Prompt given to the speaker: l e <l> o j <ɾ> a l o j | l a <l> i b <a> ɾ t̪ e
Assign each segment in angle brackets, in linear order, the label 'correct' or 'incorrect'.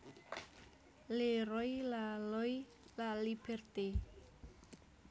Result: incorrect, incorrect, correct, incorrect

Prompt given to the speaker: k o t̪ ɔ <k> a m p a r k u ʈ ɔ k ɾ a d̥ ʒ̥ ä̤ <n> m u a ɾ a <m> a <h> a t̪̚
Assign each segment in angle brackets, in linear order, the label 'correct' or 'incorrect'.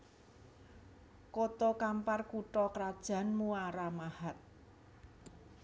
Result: correct, correct, correct, correct

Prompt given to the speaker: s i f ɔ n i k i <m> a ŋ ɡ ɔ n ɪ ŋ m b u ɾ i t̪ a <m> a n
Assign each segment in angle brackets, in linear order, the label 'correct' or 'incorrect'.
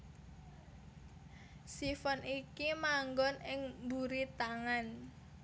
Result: correct, incorrect

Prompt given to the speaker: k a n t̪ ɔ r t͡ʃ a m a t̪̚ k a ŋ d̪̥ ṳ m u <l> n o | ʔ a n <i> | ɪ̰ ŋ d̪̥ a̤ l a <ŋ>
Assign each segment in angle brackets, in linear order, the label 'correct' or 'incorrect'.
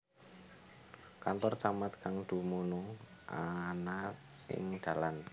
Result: incorrect, incorrect, incorrect

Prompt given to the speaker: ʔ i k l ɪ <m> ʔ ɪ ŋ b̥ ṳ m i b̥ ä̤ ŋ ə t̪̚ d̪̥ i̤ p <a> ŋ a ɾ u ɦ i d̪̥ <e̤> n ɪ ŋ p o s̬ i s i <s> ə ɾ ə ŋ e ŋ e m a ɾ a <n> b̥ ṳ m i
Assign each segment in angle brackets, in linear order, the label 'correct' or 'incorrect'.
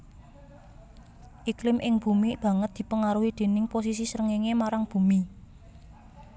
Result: correct, incorrect, correct, correct, incorrect

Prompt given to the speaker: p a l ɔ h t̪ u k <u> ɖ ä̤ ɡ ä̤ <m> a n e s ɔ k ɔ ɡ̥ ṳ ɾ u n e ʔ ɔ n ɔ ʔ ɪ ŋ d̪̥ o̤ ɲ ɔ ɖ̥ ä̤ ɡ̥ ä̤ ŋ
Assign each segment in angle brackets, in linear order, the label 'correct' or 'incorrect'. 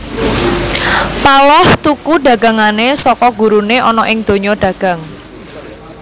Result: correct, incorrect

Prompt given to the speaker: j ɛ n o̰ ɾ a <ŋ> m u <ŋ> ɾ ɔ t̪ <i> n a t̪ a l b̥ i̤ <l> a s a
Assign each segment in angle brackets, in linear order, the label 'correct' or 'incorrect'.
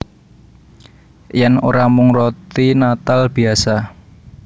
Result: incorrect, correct, correct, incorrect

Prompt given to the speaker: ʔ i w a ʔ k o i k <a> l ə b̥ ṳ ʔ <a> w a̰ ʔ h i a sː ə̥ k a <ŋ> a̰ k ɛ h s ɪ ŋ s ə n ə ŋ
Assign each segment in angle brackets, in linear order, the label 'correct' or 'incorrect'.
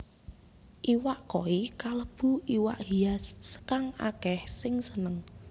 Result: correct, incorrect, correct

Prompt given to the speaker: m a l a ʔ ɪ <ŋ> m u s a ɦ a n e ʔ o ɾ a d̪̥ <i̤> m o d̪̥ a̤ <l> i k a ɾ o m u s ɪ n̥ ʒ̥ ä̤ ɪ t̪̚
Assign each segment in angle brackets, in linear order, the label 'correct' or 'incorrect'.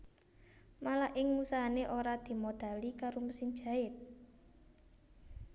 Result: correct, correct, correct

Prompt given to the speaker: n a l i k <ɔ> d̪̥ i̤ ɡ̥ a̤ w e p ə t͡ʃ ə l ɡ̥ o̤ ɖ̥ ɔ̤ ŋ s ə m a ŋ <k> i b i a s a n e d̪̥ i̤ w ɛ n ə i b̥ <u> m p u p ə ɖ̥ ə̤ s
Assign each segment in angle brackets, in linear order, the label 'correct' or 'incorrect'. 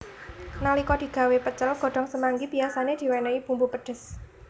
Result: correct, incorrect, correct

